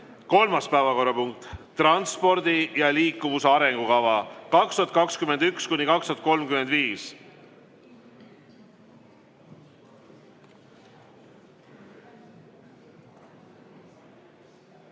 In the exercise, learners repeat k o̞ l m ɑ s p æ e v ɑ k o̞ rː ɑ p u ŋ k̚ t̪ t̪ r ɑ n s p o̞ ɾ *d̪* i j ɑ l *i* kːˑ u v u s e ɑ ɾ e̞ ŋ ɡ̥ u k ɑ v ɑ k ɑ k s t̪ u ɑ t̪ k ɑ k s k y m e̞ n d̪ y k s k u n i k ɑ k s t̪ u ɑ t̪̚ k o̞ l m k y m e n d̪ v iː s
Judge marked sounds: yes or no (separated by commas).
yes, no